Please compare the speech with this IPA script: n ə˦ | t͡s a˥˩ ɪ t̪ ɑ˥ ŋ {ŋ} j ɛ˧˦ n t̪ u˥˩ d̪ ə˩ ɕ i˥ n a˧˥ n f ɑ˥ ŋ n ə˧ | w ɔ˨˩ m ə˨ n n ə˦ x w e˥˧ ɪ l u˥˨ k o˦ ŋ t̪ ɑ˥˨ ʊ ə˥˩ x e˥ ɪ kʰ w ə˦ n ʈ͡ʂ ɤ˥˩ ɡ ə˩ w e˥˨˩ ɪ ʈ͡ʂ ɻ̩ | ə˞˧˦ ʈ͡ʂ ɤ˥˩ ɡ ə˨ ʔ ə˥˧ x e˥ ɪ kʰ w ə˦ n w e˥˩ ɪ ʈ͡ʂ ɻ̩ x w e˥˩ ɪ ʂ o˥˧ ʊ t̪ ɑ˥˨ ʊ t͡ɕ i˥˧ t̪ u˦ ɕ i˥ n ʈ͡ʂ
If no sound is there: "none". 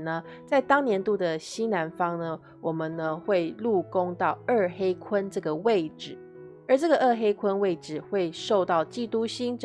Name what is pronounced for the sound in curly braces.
n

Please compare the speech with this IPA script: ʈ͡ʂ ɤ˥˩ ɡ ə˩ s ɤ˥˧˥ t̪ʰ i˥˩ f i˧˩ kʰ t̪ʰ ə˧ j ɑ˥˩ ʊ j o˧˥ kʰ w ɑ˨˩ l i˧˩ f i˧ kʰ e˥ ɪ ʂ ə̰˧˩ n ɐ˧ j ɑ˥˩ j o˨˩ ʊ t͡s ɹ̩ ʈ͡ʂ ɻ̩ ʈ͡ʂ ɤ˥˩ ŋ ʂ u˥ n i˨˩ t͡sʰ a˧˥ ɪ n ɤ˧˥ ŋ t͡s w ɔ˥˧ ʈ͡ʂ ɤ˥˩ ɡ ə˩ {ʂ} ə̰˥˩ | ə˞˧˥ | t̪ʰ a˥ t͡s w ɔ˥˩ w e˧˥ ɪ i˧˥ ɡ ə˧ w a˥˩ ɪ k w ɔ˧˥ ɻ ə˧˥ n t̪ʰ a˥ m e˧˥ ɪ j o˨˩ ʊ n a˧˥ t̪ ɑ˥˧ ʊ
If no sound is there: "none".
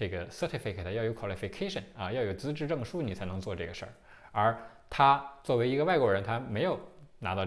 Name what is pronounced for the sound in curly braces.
ʂ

